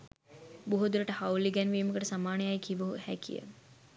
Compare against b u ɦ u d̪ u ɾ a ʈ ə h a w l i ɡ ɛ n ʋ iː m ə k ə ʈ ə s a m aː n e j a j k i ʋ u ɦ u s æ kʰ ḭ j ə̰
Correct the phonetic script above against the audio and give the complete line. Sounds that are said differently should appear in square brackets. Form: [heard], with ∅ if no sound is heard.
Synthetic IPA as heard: b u ɦ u d̪ u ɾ [ə] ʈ ə h a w l i ɡ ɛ n ʋ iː m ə k ə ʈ ə s a m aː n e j a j k i ʋ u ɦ u [h] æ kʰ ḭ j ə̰